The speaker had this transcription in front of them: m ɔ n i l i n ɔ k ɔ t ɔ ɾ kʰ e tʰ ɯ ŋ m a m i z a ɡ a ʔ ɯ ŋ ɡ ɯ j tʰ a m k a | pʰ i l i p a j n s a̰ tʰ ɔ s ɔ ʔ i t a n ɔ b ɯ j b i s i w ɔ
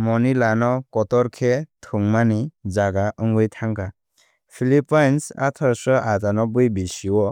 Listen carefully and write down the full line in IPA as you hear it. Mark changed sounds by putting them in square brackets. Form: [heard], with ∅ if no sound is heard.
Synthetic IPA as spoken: m ɔ n i l [a] n ɔ k ɔ t ɔ ɾ kʰ e tʰ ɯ ŋ m a [n] i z a ɡ a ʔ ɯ ŋ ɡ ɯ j tʰ a [ŋ] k a | pʰ i l i p a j n s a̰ tʰ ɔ s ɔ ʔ [a] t a n ɔ b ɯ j b i s i w ɔ